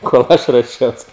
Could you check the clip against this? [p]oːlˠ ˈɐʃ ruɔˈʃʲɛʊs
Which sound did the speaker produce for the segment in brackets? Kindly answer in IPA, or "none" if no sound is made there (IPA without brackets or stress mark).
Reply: k